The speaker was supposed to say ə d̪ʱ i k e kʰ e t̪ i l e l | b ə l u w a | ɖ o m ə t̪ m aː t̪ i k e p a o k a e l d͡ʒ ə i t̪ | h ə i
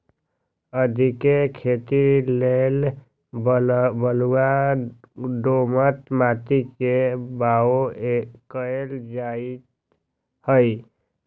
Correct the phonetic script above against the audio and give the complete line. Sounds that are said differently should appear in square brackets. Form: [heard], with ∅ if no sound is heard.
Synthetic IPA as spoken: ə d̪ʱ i k e kʰ e t̪ i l e l | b ə l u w a | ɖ o m ə t̪ m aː t̪ i k e [b] a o k [ə] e l d͡ʒ [a] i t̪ | h ə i